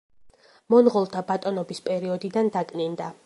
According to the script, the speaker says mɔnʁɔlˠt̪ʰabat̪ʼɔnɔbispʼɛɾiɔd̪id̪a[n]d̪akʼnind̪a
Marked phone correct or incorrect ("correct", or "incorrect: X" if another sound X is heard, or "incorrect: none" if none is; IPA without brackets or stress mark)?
correct